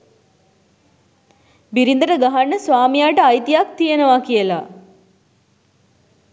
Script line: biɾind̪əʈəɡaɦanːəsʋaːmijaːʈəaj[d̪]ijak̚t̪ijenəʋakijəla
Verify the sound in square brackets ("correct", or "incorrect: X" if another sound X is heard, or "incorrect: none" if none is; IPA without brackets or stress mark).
incorrect: t̪